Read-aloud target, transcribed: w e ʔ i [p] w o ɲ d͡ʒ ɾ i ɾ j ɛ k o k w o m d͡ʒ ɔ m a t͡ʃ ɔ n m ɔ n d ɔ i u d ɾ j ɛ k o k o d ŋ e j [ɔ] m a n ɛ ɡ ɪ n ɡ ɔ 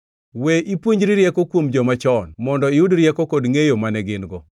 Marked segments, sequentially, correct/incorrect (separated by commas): correct, incorrect